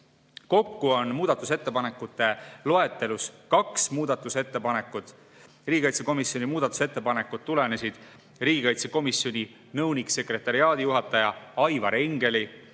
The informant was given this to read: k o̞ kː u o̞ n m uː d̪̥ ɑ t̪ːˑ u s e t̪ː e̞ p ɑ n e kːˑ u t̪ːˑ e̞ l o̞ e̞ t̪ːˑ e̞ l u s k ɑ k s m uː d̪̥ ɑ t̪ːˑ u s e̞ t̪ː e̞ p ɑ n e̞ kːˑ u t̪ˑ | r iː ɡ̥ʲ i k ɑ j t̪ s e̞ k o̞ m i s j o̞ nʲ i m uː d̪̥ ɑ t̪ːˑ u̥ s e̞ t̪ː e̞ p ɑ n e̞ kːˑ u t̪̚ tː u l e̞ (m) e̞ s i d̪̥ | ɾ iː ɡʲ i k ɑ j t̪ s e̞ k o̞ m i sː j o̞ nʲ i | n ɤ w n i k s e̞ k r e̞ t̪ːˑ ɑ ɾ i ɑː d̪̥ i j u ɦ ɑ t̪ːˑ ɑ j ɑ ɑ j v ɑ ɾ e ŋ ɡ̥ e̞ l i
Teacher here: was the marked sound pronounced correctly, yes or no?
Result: no